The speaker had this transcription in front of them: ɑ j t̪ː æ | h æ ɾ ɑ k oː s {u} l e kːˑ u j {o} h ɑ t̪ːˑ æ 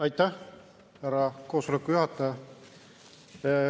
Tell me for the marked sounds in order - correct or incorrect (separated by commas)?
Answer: incorrect, incorrect